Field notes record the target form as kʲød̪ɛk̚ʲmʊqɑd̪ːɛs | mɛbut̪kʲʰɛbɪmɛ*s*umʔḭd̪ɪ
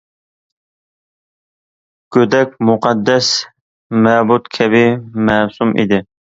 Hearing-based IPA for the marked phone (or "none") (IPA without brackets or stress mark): s